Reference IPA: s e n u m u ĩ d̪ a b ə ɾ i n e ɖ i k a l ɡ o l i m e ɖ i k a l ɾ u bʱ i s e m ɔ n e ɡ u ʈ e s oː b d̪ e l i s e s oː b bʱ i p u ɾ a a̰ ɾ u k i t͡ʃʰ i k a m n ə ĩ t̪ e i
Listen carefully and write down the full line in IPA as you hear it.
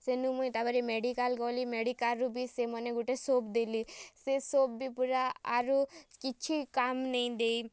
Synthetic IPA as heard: s e n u m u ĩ t̪ a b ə ɾ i m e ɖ i k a l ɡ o l i m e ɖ i k a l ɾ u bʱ i s e m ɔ n e ɡ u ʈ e s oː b d̪ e l i s e s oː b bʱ i p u ɾ a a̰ ɾ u k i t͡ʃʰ i k a m n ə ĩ d̪ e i